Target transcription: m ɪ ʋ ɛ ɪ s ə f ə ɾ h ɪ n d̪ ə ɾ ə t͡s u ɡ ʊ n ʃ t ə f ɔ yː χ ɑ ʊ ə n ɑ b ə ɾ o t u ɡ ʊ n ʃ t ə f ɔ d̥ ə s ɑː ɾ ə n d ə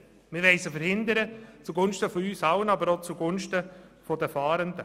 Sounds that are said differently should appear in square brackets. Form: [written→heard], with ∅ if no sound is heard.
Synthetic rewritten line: m ɪ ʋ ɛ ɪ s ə f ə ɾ h ɪ n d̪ ə ɾ ə t͡s u ɡ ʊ n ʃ t ə f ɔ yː [χ→s] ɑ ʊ ə n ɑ b ə ɾ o [t→t͡s] u ɡ ʊ n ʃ t ə f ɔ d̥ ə [s→f] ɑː ɾ ə n d ə